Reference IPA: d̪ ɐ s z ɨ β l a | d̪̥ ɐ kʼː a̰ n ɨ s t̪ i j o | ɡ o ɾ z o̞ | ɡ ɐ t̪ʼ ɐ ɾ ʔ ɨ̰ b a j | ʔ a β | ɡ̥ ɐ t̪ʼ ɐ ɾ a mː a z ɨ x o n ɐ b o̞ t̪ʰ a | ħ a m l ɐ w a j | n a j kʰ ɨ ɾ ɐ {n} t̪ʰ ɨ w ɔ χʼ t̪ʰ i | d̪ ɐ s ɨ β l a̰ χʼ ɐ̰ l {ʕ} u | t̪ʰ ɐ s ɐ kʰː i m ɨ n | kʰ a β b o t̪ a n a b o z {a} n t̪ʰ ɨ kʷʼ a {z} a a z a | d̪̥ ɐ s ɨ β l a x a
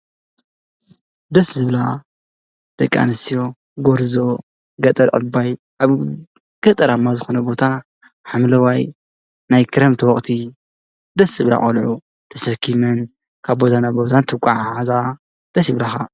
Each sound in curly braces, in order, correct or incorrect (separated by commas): incorrect, correct, correct, incorrect